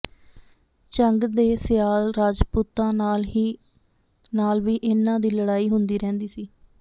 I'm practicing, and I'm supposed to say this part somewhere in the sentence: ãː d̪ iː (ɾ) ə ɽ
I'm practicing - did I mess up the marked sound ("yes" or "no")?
yes